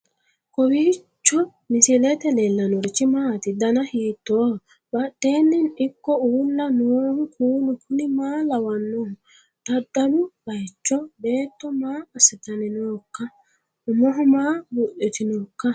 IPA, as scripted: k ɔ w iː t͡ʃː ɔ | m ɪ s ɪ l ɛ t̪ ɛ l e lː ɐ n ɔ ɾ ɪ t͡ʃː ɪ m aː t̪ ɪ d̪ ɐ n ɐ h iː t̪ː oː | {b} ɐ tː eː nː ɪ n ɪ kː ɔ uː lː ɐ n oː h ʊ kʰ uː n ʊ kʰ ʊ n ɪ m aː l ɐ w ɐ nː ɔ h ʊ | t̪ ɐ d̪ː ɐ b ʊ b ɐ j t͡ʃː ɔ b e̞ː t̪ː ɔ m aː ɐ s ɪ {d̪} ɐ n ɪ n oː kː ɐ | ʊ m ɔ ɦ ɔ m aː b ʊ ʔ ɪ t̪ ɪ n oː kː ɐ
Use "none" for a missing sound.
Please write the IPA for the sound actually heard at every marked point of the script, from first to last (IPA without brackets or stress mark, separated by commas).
b, t̪